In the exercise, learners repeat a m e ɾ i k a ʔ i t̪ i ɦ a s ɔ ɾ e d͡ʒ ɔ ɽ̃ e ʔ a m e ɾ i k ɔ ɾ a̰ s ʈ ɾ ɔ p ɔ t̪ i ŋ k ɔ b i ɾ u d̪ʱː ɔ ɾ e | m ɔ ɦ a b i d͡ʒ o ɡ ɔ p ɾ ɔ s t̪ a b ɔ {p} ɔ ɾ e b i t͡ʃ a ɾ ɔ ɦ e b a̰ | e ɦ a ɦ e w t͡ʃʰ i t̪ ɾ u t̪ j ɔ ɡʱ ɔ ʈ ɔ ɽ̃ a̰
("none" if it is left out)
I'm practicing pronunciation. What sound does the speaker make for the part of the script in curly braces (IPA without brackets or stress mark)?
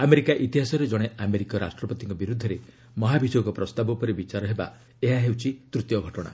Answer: p